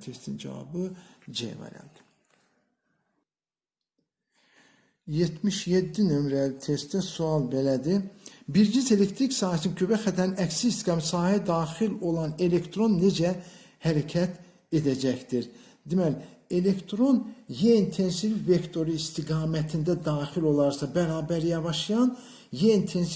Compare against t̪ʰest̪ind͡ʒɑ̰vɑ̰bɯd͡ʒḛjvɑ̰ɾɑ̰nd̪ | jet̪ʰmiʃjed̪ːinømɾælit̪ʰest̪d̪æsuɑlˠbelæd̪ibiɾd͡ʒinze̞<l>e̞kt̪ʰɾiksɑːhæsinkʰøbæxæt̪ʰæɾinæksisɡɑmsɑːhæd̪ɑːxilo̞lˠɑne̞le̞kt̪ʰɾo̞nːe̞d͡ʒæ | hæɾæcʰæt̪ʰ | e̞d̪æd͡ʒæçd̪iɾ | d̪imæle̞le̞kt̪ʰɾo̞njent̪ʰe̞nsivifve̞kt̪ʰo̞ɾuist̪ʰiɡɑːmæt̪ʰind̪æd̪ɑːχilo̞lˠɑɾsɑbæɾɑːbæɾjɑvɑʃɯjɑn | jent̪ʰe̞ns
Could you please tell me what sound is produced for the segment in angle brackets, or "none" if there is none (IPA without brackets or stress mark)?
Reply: l